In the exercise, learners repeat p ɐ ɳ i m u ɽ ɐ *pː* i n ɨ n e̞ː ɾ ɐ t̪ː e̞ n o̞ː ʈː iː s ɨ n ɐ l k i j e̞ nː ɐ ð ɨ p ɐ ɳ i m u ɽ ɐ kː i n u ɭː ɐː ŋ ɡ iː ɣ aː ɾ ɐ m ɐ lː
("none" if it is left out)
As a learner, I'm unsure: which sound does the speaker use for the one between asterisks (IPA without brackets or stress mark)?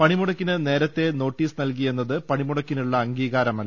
kː